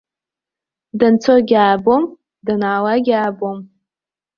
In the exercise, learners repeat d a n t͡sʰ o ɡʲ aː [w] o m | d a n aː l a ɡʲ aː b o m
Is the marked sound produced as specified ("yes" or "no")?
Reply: no